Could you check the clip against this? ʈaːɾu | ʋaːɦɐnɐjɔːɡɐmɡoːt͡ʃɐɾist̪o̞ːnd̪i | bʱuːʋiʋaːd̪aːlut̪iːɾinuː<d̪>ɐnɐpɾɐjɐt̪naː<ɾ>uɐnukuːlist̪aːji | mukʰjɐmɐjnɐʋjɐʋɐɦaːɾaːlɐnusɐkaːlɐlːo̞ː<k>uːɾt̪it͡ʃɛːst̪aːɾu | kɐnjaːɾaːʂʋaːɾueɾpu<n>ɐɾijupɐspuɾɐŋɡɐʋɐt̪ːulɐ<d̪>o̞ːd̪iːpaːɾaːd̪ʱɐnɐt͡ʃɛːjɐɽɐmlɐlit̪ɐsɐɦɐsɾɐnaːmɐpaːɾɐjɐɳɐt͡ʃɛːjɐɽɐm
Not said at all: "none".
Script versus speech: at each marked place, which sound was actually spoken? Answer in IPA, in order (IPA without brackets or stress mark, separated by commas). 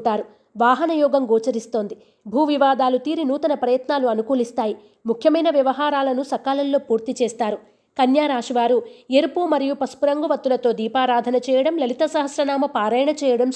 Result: t̪, l, p, m, t̪